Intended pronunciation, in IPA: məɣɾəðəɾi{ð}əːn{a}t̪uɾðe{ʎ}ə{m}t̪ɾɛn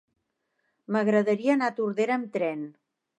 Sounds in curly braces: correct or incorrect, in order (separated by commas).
incorrect, correct, incorrect, correct